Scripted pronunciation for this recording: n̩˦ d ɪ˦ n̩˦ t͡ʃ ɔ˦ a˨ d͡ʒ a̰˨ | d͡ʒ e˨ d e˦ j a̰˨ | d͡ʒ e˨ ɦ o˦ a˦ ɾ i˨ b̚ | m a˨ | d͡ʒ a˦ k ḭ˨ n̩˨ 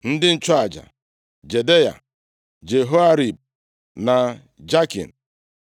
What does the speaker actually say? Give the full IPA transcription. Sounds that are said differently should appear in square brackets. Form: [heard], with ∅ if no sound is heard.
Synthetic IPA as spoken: n̩˦ d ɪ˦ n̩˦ t͡ʃ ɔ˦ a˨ d͡ʒ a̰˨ | d͡ʒ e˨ d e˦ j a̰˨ | d͡ʒ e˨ ɦ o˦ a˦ ɾ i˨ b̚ | [n] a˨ | d͡ʒ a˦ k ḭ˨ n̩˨